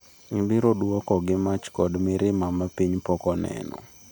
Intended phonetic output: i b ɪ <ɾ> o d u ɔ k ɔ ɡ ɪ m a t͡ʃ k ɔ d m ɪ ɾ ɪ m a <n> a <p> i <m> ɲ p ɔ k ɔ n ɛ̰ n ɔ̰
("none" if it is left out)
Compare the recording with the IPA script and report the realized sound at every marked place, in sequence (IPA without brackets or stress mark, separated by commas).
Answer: ɾ, m, p, none